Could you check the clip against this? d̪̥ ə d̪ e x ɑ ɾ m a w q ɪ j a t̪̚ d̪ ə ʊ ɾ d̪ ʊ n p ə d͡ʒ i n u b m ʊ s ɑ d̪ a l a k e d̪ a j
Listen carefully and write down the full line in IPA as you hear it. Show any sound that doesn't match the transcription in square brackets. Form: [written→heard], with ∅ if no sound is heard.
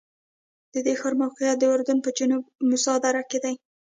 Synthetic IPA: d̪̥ ə d̪ e x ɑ ɾ m a w q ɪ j a t̪̚ d̪ ə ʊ ɾ d̪ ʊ n p ə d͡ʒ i n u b m ʊ s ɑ d̪ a [l→ɾ] a k e d̪ a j